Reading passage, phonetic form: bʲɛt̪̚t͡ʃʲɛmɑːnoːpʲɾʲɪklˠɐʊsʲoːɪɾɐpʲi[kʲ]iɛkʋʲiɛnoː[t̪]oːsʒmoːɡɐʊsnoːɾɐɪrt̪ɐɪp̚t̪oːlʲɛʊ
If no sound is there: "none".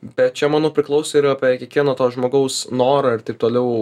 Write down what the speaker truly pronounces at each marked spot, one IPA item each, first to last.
kʲ, t̪

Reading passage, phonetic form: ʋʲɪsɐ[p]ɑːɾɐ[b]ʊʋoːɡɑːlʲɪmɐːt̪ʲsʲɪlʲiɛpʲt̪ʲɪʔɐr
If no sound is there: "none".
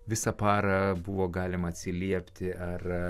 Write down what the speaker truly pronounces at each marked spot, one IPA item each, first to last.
p, b

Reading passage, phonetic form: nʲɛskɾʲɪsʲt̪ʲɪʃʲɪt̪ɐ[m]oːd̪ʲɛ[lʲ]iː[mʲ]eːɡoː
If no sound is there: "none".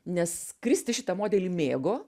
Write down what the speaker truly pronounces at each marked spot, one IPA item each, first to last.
m, lʲ, mʲ

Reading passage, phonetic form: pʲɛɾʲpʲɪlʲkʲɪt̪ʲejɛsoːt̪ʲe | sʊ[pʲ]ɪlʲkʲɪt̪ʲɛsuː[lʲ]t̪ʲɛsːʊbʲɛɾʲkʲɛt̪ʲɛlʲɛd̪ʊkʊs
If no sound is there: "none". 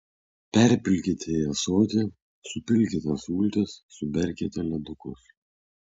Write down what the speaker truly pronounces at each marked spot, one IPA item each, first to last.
pʲ, lʲ

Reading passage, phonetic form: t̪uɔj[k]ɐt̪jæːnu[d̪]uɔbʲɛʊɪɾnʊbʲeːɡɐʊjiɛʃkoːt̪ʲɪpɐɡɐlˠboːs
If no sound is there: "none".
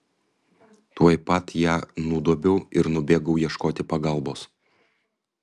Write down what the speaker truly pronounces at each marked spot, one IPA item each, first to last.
p, d̪

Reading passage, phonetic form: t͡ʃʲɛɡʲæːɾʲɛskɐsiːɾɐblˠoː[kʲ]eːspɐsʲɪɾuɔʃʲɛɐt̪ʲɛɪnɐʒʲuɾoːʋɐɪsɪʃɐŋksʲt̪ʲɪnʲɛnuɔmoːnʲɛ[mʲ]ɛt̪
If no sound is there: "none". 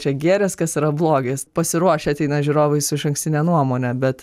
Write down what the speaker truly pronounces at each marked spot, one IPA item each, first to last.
ɡʲ, bʲ

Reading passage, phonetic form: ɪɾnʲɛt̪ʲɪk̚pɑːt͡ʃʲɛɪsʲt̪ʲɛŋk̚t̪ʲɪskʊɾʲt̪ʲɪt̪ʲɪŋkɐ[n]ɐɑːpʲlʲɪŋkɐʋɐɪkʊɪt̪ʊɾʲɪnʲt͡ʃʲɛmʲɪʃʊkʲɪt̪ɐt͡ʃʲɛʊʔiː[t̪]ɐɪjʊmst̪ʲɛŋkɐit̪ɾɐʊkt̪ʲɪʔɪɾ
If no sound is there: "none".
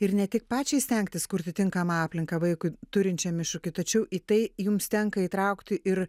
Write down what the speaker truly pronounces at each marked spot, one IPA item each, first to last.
m, t̪

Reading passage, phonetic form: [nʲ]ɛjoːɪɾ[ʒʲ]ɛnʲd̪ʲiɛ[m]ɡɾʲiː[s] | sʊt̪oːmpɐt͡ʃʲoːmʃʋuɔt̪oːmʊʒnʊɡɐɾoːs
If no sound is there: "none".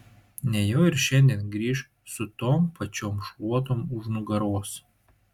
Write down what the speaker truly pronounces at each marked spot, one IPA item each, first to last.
nʲ, ʃʲ, n, ʃ

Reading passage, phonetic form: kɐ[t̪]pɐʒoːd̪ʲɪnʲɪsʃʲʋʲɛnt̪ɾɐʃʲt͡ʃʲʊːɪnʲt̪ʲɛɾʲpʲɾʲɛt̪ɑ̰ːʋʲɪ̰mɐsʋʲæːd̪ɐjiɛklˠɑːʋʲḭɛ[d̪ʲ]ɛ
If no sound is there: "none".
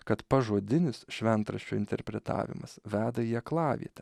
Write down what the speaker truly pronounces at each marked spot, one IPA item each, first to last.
t̪, t̪ʲ

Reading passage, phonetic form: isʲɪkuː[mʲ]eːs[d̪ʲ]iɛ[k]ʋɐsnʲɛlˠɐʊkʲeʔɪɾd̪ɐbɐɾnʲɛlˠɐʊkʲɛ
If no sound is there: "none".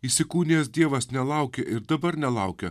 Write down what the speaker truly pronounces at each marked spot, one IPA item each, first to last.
nʲ, d̪ʲ, none

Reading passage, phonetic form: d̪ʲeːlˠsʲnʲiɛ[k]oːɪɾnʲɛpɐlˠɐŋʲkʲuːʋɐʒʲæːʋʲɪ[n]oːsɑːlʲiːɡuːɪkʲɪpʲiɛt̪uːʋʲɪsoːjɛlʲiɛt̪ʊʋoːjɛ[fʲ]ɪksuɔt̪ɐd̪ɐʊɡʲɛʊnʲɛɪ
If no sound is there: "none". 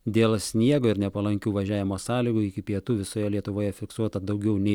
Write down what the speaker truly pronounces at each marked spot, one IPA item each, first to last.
ɡ, m, fʲ

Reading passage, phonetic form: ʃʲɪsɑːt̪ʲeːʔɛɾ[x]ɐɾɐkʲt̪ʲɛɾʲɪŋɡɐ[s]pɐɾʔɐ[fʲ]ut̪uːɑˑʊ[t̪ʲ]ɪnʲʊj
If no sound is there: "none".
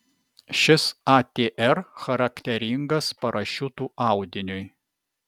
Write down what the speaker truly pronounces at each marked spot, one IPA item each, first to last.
x, s, ʃʲ, d̪ʲ

